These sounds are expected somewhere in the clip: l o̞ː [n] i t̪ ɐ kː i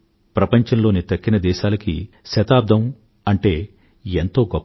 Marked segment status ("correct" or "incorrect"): correct